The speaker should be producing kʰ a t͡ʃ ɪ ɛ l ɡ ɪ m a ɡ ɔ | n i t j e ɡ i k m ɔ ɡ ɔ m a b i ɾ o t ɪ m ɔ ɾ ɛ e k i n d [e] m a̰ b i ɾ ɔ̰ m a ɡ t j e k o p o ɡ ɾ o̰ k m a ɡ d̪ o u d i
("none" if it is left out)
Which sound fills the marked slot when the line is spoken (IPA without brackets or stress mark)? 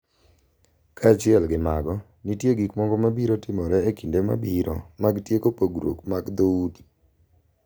e